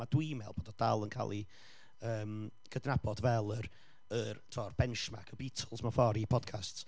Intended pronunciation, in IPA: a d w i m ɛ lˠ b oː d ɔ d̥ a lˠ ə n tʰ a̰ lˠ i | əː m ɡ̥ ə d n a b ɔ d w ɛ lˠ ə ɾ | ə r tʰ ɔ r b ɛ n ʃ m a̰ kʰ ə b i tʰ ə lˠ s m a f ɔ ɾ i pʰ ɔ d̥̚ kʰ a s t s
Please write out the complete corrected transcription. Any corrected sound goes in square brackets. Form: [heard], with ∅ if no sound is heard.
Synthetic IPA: a d w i m ɛ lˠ b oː d ɔ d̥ a lˠ ə n [kʰ] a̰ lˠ i | əː m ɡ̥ ə d n a b ɔ d [v] ɛ lˠ ə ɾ | ə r tʰ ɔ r b ɛ n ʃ m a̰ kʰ ə b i tʰ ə lˠ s m a f ɔ ɾ i pʰ ɔ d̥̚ kʰ a s t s